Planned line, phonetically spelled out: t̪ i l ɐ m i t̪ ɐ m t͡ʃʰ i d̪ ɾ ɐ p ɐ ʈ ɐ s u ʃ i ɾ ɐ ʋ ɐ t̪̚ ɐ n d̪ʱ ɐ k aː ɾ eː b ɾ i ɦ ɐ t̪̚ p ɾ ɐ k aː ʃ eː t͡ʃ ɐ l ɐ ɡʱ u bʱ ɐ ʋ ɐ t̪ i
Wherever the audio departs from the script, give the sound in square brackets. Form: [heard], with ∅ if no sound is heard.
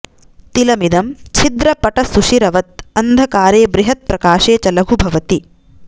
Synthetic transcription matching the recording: t̪ i l ɐ m i [d̪] ɐ m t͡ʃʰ i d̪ ɾ ɐ p ɐ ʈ ɐ s u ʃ i ɾ ɐ ʋ ɐ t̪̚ ɐ n d̪ʱ ɐ k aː ɾ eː b ɾ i ɦ ɐ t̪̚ p ɾ ɐ k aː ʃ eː t͡ʃ ɐ l ɐ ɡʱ u bʱ ɐ ʋ ɐ t̪ i